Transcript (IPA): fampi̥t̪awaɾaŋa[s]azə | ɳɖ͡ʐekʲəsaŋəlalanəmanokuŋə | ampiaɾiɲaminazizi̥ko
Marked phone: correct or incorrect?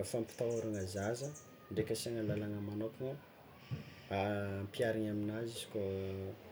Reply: incorrect